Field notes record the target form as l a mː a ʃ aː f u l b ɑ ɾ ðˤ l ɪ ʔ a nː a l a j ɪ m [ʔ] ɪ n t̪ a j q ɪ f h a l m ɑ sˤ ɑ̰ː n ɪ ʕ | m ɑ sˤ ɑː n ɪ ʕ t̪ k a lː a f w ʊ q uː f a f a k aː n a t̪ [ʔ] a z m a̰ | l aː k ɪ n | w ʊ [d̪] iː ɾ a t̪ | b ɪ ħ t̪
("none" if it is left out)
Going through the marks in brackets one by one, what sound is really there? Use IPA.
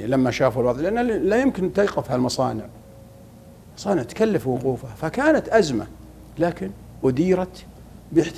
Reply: k, ʔ, d̪

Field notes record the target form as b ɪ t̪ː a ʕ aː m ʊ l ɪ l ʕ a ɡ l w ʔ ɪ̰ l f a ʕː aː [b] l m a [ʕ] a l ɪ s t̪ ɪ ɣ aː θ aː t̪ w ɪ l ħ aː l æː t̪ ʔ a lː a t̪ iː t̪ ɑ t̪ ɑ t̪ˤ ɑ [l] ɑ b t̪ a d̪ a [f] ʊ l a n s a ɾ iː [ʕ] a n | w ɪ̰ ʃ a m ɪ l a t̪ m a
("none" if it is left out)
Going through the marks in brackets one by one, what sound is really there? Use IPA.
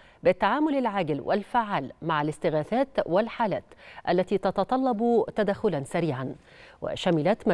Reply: none, ʕ, lː, x, ʕ

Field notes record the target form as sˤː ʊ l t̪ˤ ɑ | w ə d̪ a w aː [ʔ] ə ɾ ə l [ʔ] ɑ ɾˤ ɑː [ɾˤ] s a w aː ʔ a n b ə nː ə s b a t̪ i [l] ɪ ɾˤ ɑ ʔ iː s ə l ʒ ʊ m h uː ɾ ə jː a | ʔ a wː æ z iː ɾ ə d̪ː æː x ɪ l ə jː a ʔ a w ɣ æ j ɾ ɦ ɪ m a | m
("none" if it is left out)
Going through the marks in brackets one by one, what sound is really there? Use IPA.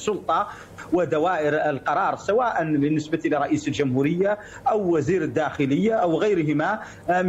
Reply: ʔ, q, ɾˤ, l

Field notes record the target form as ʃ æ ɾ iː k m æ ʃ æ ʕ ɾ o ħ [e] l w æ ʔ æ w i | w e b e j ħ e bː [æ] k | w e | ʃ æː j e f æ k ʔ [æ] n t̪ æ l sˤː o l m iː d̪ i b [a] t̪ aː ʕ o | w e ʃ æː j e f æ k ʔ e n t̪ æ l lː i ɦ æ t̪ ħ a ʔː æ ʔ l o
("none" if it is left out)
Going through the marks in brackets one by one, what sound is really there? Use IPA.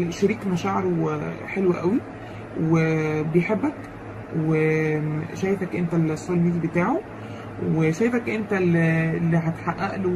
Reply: e, æ, e, e

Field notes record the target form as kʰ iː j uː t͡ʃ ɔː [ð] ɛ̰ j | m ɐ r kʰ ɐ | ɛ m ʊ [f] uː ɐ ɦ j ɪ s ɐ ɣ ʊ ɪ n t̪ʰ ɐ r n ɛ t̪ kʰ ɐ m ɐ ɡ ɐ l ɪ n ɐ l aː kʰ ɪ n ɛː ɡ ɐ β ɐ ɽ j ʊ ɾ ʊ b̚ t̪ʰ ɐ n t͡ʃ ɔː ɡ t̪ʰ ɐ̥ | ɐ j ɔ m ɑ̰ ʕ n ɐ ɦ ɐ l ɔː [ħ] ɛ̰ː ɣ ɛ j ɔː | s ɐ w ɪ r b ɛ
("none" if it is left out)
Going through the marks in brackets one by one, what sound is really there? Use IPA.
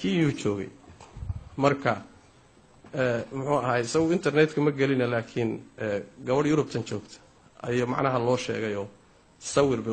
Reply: ɣ, ħ, ʃ

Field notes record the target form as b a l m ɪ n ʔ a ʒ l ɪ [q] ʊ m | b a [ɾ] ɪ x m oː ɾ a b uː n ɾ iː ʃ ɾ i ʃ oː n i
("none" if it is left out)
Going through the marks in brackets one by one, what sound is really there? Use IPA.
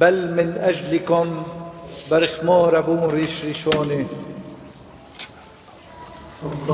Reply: k, ɾ

